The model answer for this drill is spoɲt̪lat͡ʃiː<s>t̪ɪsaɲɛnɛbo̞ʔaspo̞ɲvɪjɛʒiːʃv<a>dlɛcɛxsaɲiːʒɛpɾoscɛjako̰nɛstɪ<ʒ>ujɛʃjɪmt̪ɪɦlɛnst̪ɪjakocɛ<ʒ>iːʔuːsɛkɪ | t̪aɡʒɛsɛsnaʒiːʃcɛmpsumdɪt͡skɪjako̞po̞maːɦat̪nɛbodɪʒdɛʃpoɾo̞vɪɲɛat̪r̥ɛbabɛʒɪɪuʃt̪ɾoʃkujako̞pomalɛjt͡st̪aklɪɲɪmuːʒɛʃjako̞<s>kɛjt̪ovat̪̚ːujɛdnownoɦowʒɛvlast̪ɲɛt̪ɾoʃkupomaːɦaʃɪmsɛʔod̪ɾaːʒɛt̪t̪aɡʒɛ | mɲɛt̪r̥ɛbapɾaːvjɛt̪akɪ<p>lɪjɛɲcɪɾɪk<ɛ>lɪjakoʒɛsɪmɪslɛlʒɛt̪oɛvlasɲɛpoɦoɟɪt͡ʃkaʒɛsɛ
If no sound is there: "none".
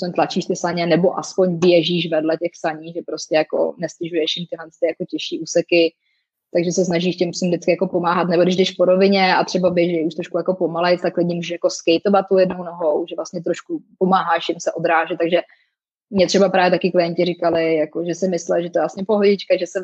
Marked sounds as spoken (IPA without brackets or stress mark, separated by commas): ʃ, ɛ, ʒ, ʃ, s, k, a